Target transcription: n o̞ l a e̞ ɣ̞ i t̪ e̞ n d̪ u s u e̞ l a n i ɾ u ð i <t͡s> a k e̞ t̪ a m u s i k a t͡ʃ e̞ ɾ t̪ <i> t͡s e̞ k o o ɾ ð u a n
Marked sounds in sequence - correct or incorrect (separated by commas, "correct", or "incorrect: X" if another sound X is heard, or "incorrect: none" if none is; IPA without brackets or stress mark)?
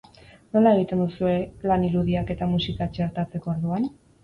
incorrect: none, incorrect: a